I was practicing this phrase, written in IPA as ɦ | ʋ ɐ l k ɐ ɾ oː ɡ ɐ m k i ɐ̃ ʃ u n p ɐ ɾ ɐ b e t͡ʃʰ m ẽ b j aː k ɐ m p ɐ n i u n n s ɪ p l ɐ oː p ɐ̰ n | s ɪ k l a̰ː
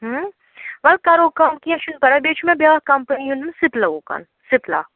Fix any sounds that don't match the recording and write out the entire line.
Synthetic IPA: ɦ | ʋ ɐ l k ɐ ɾ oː k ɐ m k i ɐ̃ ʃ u n p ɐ ɾ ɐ b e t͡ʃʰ m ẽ b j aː k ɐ m p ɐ n i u n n s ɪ p l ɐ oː k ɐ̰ n | s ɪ p l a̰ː